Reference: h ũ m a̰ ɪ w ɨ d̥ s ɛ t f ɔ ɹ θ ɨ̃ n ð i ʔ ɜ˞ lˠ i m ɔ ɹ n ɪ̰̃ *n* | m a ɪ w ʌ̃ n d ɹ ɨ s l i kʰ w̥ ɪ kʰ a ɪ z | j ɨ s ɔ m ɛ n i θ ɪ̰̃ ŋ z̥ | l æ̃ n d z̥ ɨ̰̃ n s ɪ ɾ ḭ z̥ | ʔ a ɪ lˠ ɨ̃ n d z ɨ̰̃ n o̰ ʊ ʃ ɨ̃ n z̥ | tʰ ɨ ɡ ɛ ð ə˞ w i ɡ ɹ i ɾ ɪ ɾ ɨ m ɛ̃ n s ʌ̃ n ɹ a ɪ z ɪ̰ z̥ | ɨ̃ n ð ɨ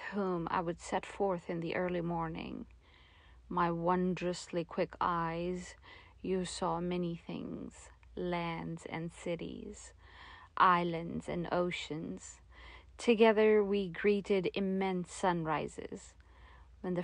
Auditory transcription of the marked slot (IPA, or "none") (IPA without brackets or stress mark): ŋ